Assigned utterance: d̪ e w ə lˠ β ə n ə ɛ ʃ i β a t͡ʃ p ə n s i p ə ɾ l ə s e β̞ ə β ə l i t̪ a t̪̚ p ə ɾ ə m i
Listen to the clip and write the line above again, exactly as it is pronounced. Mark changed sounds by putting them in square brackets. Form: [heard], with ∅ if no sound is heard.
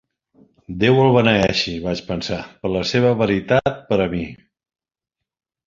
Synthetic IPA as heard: d̪ e w ə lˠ β ə n ə ɛ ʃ i β a t͡ʃ p ə n s [a] p ə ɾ l ə s e β̞ ə β ə [ɾ] i t̪ a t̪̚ p ə ɾ ə m i